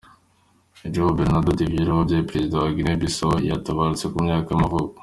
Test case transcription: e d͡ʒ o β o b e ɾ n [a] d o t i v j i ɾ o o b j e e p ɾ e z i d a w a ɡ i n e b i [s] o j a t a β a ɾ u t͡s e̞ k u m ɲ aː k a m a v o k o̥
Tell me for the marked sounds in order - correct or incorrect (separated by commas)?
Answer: correct, correct